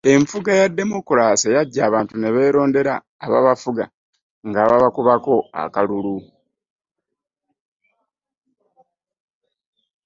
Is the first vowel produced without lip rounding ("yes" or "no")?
yes